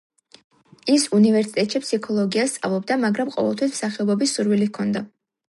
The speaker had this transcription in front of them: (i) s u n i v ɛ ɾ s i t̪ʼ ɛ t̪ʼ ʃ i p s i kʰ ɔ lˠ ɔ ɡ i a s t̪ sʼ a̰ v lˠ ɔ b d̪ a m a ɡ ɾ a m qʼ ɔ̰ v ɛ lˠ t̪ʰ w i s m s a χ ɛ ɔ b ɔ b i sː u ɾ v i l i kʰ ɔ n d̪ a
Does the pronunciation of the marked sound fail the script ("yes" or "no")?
no